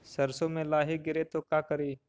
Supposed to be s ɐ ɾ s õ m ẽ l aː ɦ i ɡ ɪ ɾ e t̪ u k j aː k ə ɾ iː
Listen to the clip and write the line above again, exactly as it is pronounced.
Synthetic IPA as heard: s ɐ ɾ s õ m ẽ l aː ɦ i ɡ ɪ ɾ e t̪ o k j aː k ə ɾ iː